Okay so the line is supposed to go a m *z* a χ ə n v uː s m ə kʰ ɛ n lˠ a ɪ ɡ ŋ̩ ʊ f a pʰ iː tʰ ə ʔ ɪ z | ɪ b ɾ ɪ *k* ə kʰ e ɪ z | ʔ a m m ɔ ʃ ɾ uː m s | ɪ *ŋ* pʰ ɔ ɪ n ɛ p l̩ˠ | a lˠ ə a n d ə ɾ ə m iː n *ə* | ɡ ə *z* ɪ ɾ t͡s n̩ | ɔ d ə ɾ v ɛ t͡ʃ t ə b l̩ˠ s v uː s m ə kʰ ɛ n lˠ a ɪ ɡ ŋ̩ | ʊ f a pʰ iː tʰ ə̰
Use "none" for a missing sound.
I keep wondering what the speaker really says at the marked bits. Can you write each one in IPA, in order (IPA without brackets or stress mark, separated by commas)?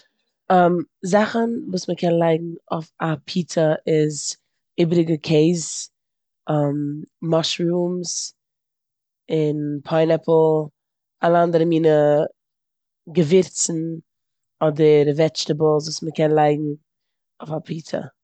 z, ɡ, n, ə, v